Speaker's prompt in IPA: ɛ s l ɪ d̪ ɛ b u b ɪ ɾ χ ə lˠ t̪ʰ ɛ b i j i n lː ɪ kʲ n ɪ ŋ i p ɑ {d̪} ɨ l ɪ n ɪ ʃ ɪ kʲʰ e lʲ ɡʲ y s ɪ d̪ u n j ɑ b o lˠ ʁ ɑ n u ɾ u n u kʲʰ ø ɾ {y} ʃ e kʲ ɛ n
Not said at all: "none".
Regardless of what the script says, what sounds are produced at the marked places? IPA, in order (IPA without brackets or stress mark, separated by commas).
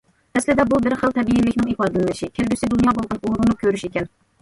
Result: d̪, y